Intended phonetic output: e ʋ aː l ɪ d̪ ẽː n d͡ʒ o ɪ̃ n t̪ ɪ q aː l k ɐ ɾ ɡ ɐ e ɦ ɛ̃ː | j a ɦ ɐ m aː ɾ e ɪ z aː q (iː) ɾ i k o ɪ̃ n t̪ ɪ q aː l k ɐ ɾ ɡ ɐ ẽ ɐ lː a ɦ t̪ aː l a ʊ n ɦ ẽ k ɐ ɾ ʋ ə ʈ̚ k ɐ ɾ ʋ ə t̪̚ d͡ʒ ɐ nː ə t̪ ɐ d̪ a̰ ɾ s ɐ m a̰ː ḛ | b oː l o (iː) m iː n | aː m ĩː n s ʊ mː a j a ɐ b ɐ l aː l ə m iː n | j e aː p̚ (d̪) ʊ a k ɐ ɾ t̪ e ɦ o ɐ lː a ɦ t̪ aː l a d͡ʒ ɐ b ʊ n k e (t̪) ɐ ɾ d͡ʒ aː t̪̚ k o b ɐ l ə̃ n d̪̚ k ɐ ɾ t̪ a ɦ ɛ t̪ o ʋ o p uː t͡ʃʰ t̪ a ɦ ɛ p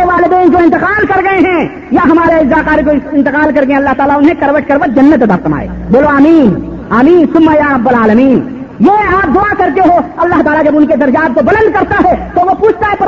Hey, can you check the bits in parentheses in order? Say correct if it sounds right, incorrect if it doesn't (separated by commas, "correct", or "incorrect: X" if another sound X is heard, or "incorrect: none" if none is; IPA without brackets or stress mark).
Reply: incorrect: aː, incorrect: aː, correct, incorrect: d̪